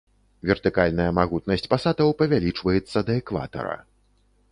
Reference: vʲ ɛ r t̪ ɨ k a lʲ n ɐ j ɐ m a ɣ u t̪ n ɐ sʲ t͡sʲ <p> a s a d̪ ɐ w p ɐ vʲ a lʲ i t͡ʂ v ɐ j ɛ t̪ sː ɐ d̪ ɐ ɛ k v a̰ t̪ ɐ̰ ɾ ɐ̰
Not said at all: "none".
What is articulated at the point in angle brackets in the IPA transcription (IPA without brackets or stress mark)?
p